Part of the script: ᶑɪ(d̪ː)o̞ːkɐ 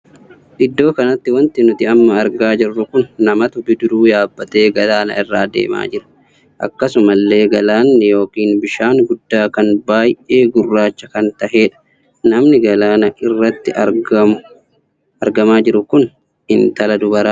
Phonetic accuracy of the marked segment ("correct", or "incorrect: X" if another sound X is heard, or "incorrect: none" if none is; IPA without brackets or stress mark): correct